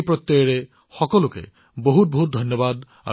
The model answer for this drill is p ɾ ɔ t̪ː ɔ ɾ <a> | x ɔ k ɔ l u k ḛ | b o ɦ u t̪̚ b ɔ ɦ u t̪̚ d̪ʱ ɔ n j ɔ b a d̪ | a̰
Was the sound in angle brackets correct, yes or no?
no